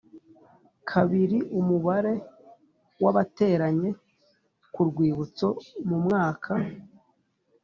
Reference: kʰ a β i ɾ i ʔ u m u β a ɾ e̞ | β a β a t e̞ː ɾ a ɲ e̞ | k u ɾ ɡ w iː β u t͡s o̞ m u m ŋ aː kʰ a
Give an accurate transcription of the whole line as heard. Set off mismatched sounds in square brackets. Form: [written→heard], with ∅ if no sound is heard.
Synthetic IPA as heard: kʰ a β i ɾ i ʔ u m u β a ɾ e̞ | [β→w] a β a t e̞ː ɾ a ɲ e̞ | k u ɾ ɡ w iː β u t͡s o̞ m u m ŋ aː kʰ a